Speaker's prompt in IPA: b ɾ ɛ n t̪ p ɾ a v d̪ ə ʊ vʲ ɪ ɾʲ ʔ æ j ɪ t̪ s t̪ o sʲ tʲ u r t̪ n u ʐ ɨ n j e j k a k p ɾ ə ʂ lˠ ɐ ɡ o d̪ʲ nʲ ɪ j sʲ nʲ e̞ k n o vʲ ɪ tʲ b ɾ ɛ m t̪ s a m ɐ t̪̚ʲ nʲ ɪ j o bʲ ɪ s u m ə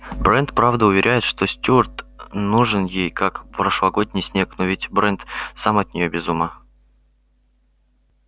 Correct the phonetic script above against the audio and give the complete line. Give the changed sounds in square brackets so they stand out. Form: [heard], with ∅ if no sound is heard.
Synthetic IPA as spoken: b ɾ ɛ n t̪ p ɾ a v d̪ ə ʊ vʲ ɪ ɾʲ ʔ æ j ɪ t̪ [ʂ] t̪ o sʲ tʲ u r t̪ n u ʐ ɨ n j e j k a k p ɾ ə ʂ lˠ ɐ ɡ o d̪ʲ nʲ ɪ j sʲ nʲ e̞ k n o vʲ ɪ tʲ b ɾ ɛ [n] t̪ s a m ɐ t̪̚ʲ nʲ ɪ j o bʲ ɪ [z] u m ə

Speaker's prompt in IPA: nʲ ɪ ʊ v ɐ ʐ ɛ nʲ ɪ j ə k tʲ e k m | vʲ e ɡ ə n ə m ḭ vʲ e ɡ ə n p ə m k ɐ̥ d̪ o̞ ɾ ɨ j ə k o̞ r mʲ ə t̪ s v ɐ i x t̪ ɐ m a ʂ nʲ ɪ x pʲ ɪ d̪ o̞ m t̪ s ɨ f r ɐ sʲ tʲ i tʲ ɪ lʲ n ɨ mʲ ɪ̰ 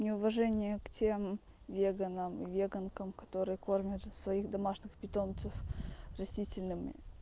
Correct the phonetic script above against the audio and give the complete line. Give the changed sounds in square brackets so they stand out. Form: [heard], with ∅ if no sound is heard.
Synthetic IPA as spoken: nʲ ɪ ʊ v ɐ ʐ ɛ nʲ ɪ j ə k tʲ e [∅] m | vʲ e ɡ ə n ə m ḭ vʲ e ɡ ə n [k] ə m k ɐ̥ [t̪] o̞ ɾ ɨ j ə k o̞ r mʲ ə t̪ s v ɐ i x [d̪] ɐ m a ʂ nʲ ɪ x pʲ ɪ [t̪] o̞ m t̪ s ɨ f r ɐ sʲ tʲ i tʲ ɪ lʲ n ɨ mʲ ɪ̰

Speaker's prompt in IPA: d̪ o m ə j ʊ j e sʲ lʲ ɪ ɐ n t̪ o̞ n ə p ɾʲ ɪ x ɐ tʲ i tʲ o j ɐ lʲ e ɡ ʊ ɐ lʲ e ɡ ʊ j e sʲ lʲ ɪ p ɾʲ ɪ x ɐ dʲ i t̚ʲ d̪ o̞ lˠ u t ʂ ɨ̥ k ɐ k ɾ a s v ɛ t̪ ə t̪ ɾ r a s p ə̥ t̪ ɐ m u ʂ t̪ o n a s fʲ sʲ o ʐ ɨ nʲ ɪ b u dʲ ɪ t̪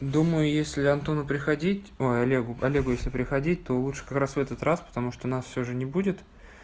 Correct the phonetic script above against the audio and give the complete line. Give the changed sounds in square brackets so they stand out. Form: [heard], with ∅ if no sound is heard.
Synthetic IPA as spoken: d̪ [u] m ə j ʊ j e sʲ lʲ ɪ ɐ n t̪ o̞ n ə p ɾʲ ɪ x ɐ [dʲ] i tʲ o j ɐ lʲ e ɡ ʊ ɐ lʲ e ɡ ʊ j e sʲ lʲ ɪ p ɾʲ ɪ x ɐ dʲ i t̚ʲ [t̪] o̞ lˠ u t ʂ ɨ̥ k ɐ k ɾ a s v ɛ t̪ ə t̪ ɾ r a s p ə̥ t̪ ɐ m u ʂ t̪ o n a s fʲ sʲ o ʐ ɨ nʲ ɪ b u dʲ ɪ t̪

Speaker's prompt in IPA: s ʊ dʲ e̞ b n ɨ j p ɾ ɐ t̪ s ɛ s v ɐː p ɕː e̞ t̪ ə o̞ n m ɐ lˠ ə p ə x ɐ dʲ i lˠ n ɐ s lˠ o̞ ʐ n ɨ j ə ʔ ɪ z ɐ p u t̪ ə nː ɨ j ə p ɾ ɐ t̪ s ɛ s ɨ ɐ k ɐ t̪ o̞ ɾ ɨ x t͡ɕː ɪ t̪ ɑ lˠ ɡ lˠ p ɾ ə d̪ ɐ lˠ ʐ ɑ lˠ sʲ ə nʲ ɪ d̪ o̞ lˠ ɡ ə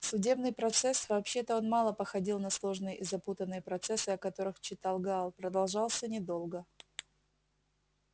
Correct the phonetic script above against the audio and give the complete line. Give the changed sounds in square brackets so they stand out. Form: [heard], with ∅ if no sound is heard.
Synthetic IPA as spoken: s ʊ dʲ e̞ b n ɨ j p ɾ ɐ t̪ s ɛ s v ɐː p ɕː e̞ t̪ ə o̞ n m [ɑ] lˠ ə p ə x ɐ dʲ i lˠ n ɐ s lˠ o̞ ʐ n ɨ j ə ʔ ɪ z ɐ p u t̪ ə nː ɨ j ə p ɾ ɐ t̪ s ɛ s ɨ ɐ k ɐ t̪ o̞ ɾ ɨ x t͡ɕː ɪ t̪ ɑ lˠ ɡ lˠ p ɾ ə d̪ ɐ lˠ ʐ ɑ lˠ sʲ ə nʲ ɪ d̪ o̞ lˠ ɡ ə

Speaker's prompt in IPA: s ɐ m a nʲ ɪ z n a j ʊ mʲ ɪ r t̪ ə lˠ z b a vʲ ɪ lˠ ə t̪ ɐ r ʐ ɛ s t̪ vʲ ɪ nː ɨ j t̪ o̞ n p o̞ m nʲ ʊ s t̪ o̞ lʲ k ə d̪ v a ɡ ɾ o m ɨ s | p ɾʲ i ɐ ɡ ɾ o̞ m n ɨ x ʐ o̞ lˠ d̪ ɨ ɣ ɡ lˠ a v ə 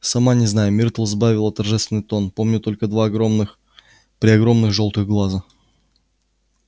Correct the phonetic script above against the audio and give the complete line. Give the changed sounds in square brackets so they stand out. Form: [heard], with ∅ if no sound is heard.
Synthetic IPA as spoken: s ɐ m a nʲ ɪ z n a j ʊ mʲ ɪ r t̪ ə lˠ z b a vʲ ɪ lˠ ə t̪ ɐ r ʐ ɛ s t̪ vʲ ɪ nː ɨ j t̪ o̞ n p o̞ m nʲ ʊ [∅] t̪ o̞ lʲ k ə d̪ v a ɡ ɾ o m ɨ [x] | p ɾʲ [ɪ] ɐ ɡ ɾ o̞ m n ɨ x ʐ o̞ lˠ [t̪] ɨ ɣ ɡ lˠ a [z] ə

